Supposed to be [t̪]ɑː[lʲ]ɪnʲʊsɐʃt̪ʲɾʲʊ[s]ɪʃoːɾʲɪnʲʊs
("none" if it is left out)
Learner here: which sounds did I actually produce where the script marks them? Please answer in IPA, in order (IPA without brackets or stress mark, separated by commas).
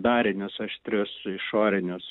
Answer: d̪, ɾʲ, s